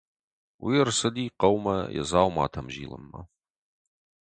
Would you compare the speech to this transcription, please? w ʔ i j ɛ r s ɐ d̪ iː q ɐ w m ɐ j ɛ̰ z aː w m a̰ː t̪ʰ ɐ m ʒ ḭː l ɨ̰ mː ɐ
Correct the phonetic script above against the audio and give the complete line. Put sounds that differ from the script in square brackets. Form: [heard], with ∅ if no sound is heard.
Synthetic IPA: w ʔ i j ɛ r s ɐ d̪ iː q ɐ w m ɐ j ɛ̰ z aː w m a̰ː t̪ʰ ɐ m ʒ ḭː l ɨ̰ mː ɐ